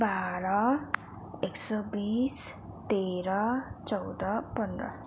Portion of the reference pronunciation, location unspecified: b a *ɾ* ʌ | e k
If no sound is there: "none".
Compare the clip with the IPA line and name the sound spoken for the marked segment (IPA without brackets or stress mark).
ɾ